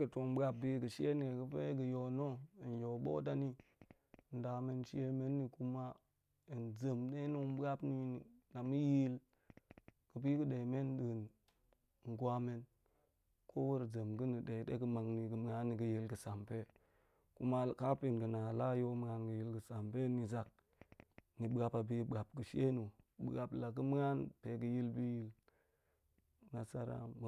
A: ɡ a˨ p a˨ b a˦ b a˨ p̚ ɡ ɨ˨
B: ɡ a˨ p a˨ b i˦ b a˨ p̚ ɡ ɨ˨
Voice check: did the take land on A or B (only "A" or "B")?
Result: B